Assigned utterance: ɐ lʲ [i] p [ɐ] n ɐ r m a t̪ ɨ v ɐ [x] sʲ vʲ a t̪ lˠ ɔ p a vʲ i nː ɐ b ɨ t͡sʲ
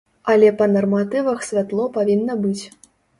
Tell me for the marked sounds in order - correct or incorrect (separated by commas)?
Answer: incorrect, correct, correct